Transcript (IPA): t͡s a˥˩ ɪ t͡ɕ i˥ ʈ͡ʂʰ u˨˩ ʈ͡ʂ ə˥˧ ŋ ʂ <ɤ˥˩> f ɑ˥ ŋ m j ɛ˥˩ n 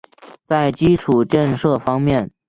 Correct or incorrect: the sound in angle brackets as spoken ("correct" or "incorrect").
correct